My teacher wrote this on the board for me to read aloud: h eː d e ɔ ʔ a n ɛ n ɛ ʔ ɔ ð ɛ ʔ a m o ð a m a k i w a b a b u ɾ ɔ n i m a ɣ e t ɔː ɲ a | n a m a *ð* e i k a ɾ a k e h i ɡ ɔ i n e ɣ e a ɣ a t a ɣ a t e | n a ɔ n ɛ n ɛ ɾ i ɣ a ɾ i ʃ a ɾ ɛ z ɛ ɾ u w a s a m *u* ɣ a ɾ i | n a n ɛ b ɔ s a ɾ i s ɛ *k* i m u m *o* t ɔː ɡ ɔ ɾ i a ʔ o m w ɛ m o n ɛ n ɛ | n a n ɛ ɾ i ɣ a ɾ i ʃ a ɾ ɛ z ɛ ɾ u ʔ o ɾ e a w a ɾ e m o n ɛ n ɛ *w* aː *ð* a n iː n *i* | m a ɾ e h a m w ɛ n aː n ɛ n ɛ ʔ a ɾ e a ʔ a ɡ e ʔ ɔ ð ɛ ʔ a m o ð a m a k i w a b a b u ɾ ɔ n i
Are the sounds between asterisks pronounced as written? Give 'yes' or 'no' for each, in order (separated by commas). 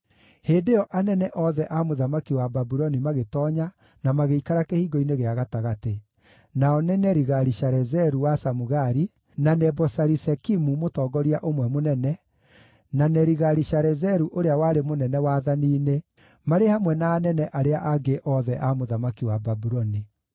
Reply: no, yes, yes, yes, yes, yes, no